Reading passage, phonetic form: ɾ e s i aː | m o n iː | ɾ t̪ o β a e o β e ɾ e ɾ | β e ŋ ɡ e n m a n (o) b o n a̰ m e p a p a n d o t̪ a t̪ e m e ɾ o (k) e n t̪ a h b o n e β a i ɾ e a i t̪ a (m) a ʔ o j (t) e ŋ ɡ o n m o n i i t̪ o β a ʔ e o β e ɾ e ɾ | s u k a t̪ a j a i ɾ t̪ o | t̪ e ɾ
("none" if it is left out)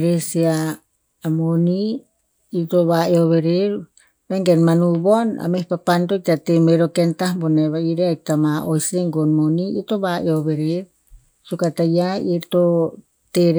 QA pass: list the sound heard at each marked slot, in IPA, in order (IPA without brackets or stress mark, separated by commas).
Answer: u, k, m, s